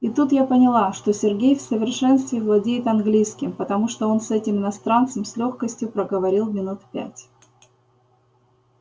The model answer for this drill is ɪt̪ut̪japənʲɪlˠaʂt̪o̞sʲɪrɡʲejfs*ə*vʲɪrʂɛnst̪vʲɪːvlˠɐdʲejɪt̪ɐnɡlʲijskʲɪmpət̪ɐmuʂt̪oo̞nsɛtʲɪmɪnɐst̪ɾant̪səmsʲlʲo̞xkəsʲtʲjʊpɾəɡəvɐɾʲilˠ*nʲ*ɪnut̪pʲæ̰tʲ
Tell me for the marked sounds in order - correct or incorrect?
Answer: correct, incorrect

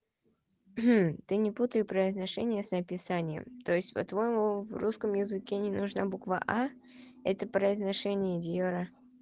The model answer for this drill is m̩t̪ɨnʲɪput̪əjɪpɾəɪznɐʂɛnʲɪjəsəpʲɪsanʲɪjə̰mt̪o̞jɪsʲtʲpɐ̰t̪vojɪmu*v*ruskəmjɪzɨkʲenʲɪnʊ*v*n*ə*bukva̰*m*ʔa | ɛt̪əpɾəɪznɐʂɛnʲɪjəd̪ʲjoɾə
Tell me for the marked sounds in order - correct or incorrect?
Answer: correct, incorrect, incorrect, incorrect

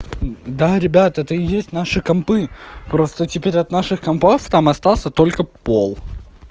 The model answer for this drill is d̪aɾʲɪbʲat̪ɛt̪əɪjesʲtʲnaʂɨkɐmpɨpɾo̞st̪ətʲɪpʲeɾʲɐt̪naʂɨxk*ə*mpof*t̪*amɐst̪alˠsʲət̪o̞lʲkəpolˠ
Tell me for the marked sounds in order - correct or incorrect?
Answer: incorrect, correct

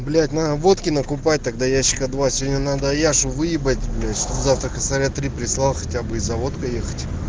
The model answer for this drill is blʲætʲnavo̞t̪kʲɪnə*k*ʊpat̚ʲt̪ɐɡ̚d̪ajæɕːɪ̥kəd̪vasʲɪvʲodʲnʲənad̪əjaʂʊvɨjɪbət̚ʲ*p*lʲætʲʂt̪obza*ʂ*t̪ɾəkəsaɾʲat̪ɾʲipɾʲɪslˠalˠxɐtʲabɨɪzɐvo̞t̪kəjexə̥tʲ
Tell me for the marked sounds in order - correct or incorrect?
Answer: correct, incorrect, incorrect

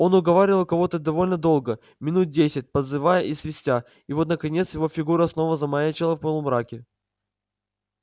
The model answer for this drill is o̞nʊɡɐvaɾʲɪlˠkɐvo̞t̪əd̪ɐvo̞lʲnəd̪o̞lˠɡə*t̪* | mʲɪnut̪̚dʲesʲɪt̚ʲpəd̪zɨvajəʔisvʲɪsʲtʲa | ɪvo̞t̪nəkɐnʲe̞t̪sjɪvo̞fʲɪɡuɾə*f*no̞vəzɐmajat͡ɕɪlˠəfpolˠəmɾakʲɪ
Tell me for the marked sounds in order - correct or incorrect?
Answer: incorrect, incorrect

